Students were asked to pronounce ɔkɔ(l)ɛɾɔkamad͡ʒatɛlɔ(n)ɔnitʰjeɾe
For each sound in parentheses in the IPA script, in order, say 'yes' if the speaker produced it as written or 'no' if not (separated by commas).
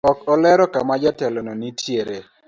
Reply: yes, yes